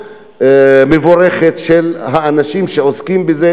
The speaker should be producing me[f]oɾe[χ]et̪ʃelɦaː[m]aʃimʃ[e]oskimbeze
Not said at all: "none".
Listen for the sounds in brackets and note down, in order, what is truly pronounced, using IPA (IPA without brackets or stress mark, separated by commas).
v, χ, n, e